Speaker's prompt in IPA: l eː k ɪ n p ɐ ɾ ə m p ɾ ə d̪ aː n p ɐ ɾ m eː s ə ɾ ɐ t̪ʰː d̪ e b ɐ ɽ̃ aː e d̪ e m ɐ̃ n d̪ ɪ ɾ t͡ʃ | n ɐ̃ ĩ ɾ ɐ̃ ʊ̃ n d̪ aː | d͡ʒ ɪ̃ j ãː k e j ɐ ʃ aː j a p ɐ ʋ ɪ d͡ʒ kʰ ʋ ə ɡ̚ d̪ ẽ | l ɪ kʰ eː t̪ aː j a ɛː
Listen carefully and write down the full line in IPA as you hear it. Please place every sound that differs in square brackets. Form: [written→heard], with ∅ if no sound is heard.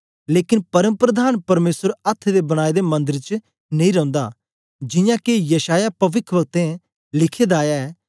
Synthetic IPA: l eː k ɪ n p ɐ ɾ ə m p ɾ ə d̪ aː n p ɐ ɾ m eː s ə ɾ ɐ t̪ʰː d̪ e b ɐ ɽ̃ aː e d̪ e m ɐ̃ n d̪ ɪ ɾ t͡ʃ | n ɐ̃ ĩ ɾ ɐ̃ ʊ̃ n d̪ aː | d͡ʒ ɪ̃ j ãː k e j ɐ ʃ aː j a p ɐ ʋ ɪ [d͡ʒ→∅] kʰ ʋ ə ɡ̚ [d̪→t̪] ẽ | l ɪ kʰ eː [t̪→d̪] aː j a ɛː

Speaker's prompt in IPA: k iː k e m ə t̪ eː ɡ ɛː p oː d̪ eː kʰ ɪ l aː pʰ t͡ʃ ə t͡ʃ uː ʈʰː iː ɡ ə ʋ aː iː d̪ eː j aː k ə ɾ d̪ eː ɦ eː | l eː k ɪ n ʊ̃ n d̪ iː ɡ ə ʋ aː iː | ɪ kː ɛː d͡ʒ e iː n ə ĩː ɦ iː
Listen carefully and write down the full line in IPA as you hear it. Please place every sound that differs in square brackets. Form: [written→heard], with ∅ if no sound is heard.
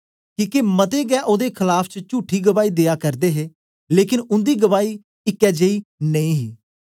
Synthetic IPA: k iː k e m ə t̪ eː ɡ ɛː [p→ʔ] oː d̪ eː kʰ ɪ l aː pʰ t͡ʃ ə t͡ʃ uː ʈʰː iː ɡ ə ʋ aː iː d̪ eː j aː k ə ɾ d̪ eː ɦ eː | l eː k ɪ n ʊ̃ n d̪ iː ɡ ə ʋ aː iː | ɪ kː ɛː d͡ʒ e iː n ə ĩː ɦ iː

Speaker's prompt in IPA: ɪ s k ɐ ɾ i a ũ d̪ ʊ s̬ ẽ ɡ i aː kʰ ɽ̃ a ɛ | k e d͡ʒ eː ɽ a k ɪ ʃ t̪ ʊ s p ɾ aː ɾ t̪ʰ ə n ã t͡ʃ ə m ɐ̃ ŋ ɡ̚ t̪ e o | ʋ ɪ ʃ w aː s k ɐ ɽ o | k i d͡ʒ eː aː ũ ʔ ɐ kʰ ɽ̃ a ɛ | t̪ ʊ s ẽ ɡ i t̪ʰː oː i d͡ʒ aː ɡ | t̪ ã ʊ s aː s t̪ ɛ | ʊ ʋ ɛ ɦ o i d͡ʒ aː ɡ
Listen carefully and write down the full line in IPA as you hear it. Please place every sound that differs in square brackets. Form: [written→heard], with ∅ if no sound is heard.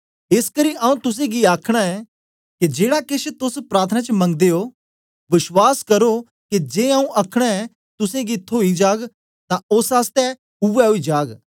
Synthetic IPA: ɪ s k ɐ ɾ i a ũ [d̪→t̪] ʊ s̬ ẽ ɡ i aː kʰ ɽ̃ a ɛ | k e d͡ʒ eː ɽ a k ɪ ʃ t̪ ʊ s p ɾ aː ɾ t̪ʰ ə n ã t͡ʃ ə m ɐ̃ ŋ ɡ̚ [t̪→d̪] e o | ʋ ɪ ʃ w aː s k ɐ [ɽ→ɾ] o | k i d͡ʒ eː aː ũ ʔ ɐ kʰ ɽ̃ a ɛ | t̪ ʊ s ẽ ɡ i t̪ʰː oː i d͡ʒ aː ɡ | t̪ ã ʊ s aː s t̪ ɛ | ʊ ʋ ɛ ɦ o i d͡ʒ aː ɡ

